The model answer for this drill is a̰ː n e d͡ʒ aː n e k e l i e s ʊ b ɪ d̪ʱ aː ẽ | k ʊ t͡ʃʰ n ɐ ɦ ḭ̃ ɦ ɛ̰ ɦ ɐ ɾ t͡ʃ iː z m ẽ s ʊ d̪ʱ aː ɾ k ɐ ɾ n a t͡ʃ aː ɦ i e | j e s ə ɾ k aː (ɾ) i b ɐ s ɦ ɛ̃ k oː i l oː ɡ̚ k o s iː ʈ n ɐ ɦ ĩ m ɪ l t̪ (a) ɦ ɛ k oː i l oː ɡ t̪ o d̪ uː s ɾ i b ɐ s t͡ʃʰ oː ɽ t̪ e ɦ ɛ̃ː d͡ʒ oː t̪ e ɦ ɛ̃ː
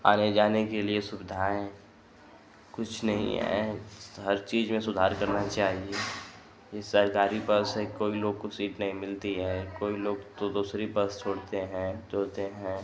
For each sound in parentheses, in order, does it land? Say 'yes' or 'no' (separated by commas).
yes, no